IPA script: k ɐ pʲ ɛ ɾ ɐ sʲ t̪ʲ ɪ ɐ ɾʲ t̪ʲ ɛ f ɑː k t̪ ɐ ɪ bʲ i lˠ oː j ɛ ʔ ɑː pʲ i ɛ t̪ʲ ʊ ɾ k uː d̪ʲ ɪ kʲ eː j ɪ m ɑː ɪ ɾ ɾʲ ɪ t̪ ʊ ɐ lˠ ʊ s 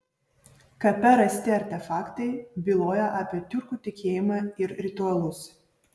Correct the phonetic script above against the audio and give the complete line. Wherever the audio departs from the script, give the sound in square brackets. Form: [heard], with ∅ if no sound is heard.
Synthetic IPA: k ɐ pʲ ɛ ɾ ɐ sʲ t̪ʲ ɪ ɐ ɾʲ t̪ʲ ɛ f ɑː k t̪ ɐ ɪ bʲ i lˠ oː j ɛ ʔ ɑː pʲ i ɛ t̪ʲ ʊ ɾ k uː [t̪ʲ] ɪ kʲ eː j ɪ m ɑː ɪ ɾ ɾʲ ɪ t̪ ʊ ɐ lˠ ʊ s